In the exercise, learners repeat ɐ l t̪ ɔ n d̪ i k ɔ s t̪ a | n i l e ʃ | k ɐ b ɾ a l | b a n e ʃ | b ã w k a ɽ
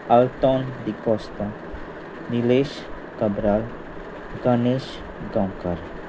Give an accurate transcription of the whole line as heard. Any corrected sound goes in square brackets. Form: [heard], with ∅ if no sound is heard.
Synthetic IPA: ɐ l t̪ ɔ n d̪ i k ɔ s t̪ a | n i l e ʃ | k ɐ b ɾ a l | [ɡ] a n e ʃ | [ɡ] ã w k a [ɾ]